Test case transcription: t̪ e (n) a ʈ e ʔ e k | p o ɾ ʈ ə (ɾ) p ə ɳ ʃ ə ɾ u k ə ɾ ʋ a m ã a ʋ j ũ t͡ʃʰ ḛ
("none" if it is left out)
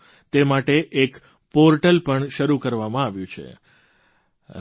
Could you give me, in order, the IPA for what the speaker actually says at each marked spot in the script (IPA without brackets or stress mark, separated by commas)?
m, l